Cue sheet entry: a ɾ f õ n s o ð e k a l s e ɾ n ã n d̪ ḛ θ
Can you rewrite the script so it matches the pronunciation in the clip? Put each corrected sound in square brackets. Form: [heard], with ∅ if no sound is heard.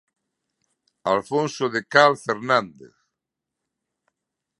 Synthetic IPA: a [l] f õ n s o ð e k a l [f] e ɾ n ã n d̪ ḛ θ